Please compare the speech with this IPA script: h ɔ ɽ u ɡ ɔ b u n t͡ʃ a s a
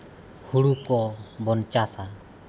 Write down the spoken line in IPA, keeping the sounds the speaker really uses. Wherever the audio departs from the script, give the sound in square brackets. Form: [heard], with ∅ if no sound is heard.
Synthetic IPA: h [u] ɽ u [k] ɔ b [ɔ] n t͡ʃ a s a